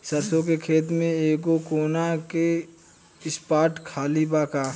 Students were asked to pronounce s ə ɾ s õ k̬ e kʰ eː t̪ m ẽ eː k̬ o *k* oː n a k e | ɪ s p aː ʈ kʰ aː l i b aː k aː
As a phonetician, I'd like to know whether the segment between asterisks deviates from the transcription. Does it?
no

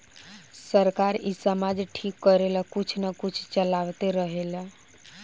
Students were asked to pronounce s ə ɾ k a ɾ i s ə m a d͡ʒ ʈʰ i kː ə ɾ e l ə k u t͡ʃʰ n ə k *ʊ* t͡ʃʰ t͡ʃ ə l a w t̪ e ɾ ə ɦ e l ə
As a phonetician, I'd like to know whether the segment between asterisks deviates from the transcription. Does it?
yes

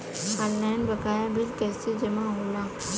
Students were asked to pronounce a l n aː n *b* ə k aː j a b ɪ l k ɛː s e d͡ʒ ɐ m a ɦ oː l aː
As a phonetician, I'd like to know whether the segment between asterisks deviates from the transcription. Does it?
no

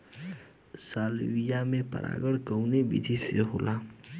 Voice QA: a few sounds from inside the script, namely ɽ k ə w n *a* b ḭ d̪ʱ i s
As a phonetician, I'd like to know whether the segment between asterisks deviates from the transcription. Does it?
yes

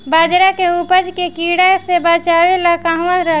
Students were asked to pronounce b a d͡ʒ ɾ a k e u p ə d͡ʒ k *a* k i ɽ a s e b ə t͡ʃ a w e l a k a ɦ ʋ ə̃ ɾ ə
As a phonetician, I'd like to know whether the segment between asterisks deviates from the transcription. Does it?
yes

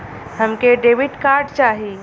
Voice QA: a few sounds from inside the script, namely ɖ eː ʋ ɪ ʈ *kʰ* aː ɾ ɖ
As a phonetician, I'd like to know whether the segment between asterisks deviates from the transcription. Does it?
yes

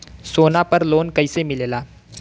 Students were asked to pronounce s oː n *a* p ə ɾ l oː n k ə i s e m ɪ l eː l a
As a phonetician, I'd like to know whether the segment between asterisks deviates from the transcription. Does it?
no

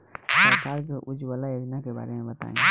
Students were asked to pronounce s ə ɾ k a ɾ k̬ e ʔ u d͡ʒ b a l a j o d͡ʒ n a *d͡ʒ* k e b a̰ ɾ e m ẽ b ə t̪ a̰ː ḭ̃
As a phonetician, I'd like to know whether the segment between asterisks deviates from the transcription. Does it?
yes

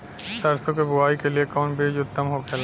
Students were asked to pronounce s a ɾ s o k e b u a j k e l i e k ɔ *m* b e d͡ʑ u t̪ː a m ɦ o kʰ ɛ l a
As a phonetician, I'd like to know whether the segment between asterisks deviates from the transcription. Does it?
yes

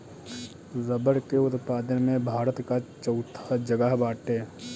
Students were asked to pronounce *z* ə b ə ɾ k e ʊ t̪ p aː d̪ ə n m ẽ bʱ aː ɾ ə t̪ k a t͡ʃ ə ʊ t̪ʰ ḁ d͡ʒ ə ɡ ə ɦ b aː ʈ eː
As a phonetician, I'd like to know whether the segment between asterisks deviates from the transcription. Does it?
no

